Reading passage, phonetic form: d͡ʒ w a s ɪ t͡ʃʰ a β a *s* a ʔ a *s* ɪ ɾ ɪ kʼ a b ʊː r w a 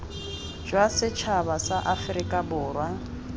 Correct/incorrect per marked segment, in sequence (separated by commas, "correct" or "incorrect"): correct, incorrect